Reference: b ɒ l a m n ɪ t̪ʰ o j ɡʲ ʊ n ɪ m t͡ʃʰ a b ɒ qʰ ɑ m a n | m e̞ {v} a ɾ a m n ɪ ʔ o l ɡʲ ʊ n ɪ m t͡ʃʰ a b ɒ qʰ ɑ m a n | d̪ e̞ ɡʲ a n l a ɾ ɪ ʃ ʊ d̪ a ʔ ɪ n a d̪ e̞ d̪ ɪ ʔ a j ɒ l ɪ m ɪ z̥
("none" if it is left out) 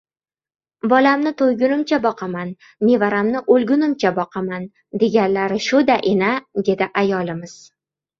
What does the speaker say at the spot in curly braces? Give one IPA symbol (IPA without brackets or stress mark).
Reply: v